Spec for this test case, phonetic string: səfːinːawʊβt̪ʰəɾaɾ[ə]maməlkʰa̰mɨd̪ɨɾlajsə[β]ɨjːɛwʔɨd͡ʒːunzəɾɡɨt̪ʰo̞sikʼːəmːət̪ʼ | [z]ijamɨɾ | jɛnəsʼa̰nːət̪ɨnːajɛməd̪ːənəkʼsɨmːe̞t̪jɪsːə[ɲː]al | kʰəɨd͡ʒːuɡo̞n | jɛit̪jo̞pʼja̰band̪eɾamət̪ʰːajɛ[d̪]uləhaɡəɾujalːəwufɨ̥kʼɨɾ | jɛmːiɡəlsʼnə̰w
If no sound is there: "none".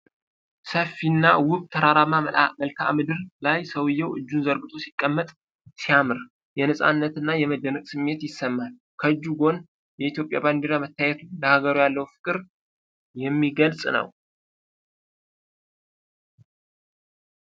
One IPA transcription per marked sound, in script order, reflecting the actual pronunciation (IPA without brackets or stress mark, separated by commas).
a, w, s, mː, t̪